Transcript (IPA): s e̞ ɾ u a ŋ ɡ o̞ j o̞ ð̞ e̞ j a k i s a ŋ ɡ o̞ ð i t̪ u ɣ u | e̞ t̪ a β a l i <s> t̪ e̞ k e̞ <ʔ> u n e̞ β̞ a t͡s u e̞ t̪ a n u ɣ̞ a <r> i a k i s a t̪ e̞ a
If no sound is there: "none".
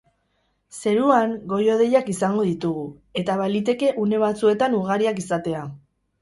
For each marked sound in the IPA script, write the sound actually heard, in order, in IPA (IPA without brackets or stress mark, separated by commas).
none, ʔ, ɾ